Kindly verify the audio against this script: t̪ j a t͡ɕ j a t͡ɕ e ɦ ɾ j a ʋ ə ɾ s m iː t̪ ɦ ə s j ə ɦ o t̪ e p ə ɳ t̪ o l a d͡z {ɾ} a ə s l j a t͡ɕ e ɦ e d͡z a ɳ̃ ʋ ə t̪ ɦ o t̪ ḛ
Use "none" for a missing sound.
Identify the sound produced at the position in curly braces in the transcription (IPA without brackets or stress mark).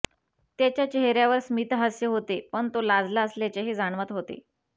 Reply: l